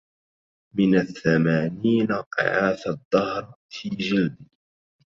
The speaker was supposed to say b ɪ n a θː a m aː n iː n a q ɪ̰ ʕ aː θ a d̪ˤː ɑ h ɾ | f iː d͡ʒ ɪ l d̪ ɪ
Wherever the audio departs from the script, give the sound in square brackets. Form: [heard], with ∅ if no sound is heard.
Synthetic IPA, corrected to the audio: [m] ɪ n a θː a m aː n iː n a q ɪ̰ ʕ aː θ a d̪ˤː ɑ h ɾ | f iː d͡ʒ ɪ l d̪ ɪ